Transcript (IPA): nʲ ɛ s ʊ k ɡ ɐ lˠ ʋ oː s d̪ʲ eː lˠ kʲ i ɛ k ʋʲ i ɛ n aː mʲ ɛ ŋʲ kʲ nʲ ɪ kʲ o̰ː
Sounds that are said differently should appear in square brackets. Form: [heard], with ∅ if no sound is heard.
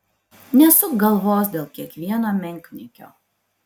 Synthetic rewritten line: nʲ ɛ s ʊ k ɡ ɐ lˠ ʋ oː s d̪ʲ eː lˠ kʲ i ɛ k ʋʲ i ɛ n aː mʲ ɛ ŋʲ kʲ nʲ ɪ kʲ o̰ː